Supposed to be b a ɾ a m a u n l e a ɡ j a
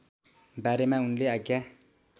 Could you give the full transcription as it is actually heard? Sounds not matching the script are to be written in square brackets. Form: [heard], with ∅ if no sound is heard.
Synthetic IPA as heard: b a ɾ [e] m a u n l e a ɡ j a

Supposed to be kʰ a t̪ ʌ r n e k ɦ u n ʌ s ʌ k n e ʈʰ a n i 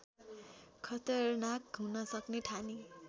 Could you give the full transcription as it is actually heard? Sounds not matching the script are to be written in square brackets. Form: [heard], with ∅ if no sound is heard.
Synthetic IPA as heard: kʰ [ʌ] t̪ ʌ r n [a] k ɦ u n ʌ s ʌ k n e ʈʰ a n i

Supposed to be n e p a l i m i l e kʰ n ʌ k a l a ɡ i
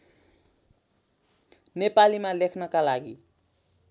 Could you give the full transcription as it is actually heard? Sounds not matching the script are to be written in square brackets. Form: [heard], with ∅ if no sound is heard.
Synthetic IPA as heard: n e p a l i m [a] l e kʰ n ʌ k a l a ɡ i

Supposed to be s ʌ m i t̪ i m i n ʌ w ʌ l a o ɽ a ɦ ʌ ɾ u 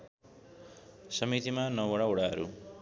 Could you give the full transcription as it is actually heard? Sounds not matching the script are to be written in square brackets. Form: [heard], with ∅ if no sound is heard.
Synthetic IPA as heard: s ʌ m i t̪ i m [a] n ʌ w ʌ [ɽ] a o ɽ a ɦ ʌ ɾ u

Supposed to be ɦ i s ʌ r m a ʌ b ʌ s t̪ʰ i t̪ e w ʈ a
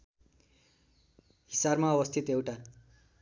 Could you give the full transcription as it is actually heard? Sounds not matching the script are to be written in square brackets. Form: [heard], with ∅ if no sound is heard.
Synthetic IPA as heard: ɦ i s [a] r m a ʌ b ʌ s t̪ʰ i t̪ e w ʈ a

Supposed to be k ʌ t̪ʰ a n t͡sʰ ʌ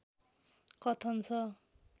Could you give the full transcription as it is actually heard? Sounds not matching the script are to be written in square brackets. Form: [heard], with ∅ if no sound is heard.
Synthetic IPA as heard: k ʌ t̪ʰ [ʌ] n t͡sʰ ʌ

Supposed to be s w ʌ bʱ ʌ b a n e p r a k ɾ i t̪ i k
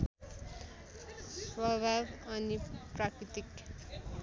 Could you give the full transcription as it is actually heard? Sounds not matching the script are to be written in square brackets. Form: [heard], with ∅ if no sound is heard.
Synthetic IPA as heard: s w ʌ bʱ [a] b [ʌ] n [i] p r a k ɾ i t̪ i k

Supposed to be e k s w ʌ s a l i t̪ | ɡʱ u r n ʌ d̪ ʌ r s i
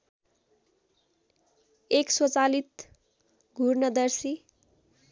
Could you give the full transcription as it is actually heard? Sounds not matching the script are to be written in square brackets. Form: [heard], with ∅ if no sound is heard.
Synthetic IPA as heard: e k s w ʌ [t͡s] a l i t̪ | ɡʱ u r n ʌ d̪ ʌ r s i

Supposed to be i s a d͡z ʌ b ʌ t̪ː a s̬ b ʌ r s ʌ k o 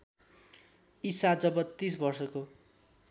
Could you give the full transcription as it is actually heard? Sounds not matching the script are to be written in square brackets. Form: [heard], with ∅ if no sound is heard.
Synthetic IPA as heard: i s a d͡z ʌ b ʌ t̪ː [i] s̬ b ʌ r s ʌ k o

